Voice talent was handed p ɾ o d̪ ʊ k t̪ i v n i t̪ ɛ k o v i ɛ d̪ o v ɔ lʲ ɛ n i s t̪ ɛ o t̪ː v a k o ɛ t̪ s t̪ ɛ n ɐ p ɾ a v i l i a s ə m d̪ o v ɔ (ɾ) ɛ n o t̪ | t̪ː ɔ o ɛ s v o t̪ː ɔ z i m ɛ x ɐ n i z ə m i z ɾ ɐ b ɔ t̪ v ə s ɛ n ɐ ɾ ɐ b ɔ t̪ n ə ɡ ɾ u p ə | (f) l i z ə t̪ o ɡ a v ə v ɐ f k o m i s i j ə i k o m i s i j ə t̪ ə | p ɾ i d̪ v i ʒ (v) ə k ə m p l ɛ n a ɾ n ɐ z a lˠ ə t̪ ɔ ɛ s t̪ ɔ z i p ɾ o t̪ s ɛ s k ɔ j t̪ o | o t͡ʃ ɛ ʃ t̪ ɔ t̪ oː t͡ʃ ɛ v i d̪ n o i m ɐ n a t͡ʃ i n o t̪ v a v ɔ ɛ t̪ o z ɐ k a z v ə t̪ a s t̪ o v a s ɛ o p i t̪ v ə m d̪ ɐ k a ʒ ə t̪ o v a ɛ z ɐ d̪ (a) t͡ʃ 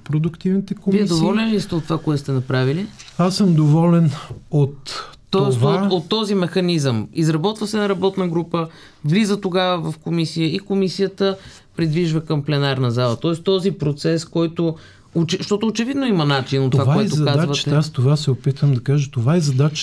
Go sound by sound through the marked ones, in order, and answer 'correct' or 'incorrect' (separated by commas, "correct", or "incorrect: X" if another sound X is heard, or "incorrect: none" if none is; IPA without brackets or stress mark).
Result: incorrect: l, incorrect: v, correct, correct